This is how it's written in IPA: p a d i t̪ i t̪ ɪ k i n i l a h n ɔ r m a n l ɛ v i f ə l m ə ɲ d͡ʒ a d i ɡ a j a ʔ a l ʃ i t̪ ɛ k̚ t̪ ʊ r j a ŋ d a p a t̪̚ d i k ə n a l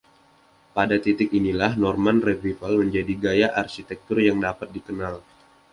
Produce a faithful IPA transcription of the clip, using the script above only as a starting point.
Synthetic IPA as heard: p a d a t̪ i t̪ ɪ k i n i l a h n ɔ r m a n r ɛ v i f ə l m ə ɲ d͡ʒ a d i ɡ a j a ʔ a r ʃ i t̪ ɛ k̚ t̪ ʊ r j a ŋ d a p a t̪̚ d i k ə n a l